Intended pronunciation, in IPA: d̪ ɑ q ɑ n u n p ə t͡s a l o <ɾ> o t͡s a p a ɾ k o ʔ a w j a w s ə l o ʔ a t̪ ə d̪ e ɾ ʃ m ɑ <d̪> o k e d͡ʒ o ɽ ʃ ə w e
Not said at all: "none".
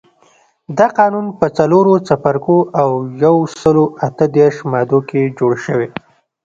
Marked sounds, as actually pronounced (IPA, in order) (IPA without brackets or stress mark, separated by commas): ɾ, d̪